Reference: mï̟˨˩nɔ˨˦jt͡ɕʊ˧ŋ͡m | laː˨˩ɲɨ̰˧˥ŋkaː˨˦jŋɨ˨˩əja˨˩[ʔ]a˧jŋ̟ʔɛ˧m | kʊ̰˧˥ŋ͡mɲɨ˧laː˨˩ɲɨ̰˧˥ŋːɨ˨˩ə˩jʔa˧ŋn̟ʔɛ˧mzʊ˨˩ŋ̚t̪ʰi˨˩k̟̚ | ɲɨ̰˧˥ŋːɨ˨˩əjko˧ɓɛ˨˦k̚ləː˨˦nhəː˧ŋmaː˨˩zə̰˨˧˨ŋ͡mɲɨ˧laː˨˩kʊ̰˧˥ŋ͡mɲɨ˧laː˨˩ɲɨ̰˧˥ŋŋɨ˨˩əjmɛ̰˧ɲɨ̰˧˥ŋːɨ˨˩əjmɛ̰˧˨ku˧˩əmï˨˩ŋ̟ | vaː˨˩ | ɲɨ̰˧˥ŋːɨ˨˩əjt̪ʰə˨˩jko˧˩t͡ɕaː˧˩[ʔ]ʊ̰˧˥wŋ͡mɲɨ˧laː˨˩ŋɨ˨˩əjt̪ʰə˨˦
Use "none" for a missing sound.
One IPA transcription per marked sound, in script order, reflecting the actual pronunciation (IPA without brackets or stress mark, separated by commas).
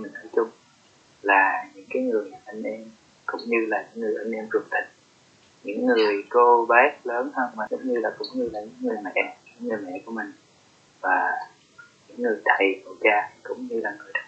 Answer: ʔ, k